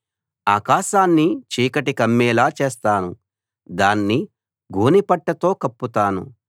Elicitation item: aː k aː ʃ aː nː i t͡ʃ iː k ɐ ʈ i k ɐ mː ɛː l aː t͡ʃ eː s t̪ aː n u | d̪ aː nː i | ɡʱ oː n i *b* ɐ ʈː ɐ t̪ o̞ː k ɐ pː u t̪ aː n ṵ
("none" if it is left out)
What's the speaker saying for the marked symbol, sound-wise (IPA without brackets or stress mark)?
p